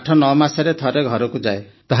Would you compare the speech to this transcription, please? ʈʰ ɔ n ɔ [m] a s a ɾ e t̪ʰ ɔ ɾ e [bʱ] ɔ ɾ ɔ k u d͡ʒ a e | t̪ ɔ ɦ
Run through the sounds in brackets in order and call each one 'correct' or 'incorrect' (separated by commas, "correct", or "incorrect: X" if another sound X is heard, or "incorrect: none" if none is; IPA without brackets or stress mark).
correct, incorrect: ɡʱ